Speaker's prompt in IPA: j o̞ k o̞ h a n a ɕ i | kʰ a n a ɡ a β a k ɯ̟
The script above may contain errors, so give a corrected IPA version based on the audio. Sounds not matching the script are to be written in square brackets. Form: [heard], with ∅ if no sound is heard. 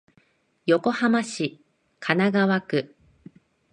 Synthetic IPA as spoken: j o̞ k o̞ h a [m] a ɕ i | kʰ a n a ɡ a β a k ɯ̟